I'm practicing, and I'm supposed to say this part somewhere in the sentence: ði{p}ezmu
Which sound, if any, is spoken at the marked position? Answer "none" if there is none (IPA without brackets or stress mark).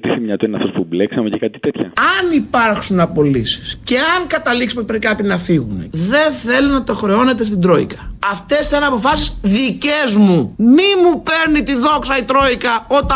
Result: c